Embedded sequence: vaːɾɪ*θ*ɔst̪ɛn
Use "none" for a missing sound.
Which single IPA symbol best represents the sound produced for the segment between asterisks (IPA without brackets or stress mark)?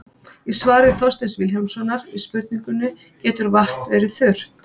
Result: θ